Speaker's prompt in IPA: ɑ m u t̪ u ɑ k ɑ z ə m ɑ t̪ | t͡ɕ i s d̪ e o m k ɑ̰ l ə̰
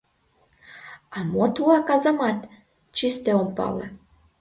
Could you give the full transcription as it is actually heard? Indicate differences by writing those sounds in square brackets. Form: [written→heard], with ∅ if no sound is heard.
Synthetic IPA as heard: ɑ m [u→o] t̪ u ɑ k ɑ z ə m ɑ t̪ | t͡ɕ i s [d̪→t̪] e o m [k→p] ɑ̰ l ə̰